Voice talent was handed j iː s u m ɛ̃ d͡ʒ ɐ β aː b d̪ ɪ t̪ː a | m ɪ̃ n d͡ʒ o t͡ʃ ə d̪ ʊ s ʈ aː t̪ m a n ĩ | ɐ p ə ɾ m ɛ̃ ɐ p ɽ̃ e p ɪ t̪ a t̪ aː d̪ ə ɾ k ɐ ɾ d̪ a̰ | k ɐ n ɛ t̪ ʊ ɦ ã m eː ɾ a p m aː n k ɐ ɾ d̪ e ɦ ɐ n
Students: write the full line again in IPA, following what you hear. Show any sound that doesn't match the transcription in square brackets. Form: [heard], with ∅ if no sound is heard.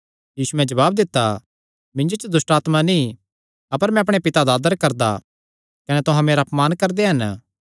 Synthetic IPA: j iː s u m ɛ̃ d͡ʒ ɐ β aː b d̪ ɪ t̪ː a | m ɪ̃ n d͡ʒ o t͡ʃ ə d̪ ʊ s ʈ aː t̪ m a n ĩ | ɐ p ə ɾ m ɛ̃ ɐ p ɽ̃ e p ɪ t̪ a [d̪] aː d̪ ə ɾ k ɐ ɾ d̪ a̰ | k ɐ n ɛ t̪ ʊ ɦ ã m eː ɾ a p m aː n k ɐ ɾ d̪ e ɦ ɐ n